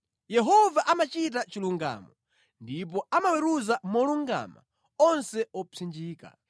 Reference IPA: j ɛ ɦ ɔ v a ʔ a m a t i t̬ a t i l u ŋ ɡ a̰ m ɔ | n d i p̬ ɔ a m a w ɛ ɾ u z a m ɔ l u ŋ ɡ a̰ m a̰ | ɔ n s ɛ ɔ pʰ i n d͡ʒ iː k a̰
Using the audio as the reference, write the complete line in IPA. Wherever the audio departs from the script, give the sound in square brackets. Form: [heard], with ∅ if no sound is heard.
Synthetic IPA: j ɛ ɦ ɔ v a ʔ a m a [t͡ʃ] i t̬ a [t͡ʃ] i l u ŋ ɡ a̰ m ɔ | n d i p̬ ɔ a m a w ɛ ɾ u z a m ɔ l u ŋ ɡ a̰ m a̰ | ɔ n s ɛ ɔ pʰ i n d͡ʒ iː k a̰